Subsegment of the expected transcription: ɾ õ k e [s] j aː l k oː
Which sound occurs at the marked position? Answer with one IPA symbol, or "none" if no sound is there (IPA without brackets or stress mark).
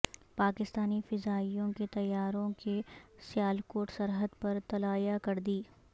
s